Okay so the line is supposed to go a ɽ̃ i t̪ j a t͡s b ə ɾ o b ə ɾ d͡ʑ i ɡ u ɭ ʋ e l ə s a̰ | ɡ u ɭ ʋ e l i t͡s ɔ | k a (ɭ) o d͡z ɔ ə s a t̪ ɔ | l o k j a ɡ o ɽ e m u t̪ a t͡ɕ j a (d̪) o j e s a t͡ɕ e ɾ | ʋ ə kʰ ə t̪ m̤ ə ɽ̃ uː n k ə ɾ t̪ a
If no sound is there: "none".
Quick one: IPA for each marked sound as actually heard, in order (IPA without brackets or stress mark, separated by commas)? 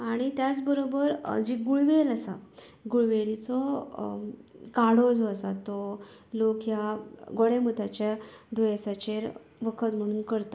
ɽ, d̪